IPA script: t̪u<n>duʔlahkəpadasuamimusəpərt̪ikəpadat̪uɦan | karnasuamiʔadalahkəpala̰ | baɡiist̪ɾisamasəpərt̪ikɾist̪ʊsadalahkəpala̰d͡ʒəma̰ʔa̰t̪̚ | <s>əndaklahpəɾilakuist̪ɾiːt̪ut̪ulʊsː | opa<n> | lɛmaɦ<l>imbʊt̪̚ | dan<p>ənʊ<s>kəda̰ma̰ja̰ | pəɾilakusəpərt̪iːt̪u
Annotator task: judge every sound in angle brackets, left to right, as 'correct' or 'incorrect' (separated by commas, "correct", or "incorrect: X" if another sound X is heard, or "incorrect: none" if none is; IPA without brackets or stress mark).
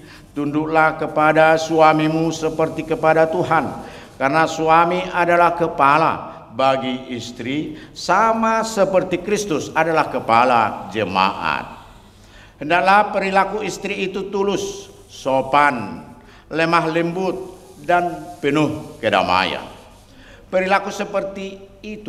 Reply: correct, incorrect: h, correct, correct, correct, incorrect: h